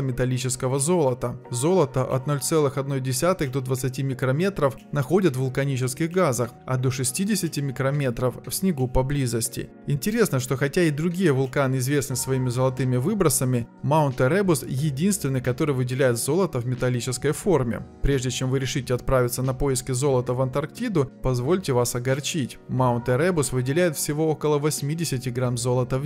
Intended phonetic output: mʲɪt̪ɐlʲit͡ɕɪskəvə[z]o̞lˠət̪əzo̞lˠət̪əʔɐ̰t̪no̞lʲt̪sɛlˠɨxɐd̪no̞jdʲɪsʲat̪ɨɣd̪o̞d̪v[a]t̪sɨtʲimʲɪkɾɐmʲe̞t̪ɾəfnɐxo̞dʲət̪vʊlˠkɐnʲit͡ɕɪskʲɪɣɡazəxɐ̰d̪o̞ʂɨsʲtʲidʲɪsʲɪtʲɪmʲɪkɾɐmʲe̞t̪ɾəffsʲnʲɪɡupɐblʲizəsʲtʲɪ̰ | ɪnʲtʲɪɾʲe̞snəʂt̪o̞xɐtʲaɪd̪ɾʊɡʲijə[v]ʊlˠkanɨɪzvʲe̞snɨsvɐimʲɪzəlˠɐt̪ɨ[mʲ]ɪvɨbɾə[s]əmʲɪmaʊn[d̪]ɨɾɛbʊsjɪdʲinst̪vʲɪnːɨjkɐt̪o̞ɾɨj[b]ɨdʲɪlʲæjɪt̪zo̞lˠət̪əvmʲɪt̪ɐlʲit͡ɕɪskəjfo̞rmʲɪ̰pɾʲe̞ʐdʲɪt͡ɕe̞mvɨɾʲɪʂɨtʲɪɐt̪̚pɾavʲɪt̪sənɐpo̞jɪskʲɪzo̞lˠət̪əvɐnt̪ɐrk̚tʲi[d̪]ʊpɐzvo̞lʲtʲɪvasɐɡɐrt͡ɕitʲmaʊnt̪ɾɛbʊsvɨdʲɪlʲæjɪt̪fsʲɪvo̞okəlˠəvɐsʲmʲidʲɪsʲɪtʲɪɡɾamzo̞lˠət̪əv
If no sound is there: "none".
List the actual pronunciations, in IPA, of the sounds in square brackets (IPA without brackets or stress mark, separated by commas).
z, ə, v, mʲ, s, t̪, v, d̪